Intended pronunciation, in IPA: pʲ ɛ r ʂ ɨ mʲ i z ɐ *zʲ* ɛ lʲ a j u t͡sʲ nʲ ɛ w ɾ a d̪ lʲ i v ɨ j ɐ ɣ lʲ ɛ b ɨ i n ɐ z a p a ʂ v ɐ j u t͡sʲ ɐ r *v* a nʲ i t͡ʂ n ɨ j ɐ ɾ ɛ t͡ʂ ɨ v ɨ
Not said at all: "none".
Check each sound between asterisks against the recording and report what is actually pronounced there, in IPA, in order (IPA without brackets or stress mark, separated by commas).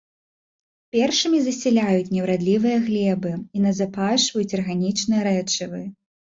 sʲ, ɣ